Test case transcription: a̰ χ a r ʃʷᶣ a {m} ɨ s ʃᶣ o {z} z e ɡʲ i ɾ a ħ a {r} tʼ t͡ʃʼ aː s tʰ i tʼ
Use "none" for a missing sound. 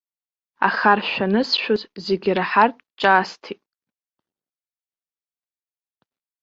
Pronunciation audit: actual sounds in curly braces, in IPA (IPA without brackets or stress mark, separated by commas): n, z, r